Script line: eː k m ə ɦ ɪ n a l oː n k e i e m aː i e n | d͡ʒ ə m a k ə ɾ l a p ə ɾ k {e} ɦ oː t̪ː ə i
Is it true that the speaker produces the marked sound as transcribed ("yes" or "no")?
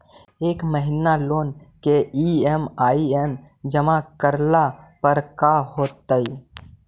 no